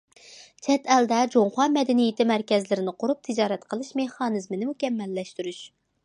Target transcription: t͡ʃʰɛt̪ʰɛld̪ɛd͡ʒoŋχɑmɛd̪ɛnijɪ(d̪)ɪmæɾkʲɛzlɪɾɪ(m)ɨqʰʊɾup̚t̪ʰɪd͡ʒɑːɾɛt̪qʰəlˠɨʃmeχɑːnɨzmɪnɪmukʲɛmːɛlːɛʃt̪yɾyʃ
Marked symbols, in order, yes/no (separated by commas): no, no